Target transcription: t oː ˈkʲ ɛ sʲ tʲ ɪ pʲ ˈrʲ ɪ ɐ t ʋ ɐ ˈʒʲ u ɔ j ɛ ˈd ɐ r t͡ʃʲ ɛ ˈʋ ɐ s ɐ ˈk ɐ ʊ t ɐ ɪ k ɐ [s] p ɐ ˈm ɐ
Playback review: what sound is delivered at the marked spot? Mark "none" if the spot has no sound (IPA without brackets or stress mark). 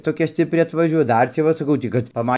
t